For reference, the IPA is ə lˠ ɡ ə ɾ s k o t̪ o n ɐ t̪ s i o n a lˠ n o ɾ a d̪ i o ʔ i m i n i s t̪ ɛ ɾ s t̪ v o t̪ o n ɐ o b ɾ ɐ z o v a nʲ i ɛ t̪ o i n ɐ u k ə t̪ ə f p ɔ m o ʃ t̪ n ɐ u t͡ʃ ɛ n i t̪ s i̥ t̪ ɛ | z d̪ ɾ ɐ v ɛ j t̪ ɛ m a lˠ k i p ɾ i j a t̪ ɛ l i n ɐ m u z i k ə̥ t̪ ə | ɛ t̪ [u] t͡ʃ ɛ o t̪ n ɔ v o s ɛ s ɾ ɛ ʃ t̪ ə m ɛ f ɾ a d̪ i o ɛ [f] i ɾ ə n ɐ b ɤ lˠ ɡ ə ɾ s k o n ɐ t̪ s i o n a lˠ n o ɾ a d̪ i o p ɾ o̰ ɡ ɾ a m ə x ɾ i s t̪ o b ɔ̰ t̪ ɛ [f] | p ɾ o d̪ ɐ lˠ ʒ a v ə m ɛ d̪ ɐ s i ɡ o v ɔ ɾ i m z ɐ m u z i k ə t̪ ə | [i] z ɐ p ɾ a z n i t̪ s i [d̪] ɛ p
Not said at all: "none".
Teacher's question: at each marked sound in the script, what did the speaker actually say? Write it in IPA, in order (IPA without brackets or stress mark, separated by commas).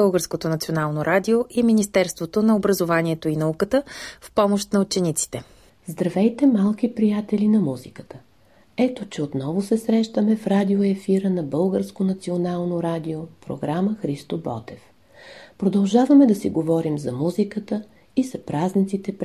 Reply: o, f, f, i, t̪